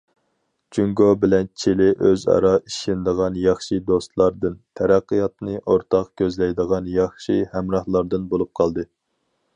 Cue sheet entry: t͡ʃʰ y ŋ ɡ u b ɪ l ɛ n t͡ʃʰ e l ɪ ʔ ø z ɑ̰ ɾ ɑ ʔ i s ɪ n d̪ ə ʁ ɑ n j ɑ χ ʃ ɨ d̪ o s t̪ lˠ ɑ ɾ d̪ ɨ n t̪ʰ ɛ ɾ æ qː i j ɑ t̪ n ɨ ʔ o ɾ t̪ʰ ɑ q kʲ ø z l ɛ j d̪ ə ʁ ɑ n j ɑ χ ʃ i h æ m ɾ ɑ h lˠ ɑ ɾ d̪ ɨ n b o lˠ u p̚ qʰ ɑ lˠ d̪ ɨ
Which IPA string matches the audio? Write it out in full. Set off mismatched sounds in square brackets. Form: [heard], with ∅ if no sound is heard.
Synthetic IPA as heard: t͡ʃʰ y ŋ ɡ [o] b ɪ l ɛ n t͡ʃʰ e l ɪ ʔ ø z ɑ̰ ɾ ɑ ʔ i [ʃ] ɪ n d̪ ə ʁ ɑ n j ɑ χ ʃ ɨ d̪ o s t̪ lˠ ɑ ɾ d̪ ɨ n t̪ʰ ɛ ɾ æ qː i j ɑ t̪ n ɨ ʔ o ɾ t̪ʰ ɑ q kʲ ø z l ɛ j d̪ ə ʁ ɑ n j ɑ χ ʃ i h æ m ɾ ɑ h lˠ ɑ ɾ d̪ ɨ n b o lˠ u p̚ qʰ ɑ lˠ d̪ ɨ